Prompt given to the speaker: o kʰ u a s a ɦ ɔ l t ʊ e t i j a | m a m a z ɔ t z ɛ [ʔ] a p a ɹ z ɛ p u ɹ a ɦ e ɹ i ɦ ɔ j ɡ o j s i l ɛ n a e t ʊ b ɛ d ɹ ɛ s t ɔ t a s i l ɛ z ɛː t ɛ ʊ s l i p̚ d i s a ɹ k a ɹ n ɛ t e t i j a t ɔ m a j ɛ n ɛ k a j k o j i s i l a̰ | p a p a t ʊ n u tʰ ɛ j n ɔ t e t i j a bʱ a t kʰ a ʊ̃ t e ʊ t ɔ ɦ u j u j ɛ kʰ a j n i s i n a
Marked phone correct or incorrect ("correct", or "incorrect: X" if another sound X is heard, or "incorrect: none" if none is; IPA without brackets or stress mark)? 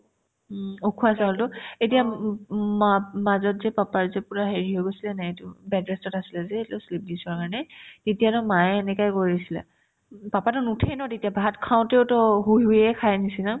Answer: incorrect: p